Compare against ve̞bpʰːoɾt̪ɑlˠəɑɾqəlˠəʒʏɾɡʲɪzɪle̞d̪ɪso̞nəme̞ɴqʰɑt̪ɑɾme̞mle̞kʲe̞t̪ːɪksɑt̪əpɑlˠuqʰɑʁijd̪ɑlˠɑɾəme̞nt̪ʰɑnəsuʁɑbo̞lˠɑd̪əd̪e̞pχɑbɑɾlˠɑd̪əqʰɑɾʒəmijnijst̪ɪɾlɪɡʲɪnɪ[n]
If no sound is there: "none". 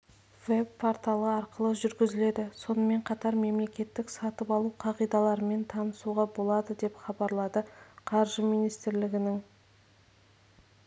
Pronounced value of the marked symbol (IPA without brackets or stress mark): ŋ